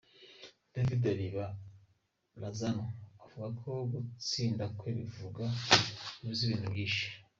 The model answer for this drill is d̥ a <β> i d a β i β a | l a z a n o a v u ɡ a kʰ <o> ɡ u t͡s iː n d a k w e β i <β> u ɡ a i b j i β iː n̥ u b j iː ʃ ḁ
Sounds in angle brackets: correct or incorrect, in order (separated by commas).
incorrect, correct, incorrect